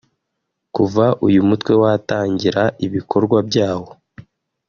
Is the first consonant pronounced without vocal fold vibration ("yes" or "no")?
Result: yes